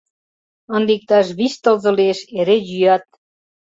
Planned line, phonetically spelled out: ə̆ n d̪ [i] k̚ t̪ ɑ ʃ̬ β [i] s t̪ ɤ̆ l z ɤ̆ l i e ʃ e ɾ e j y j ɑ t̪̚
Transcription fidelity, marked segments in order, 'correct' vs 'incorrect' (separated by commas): correct, correct